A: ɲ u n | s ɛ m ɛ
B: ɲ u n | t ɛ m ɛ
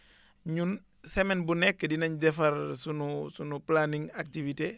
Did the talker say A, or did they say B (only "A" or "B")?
A